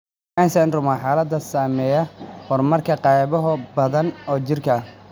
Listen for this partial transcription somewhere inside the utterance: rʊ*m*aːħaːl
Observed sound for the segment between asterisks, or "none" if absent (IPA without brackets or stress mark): m